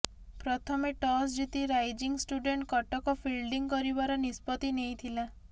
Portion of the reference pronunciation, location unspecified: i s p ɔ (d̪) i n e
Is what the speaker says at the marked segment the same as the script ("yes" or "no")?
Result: no